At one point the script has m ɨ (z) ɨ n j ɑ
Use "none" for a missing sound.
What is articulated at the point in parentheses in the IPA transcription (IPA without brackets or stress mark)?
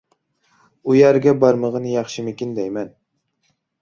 ʁ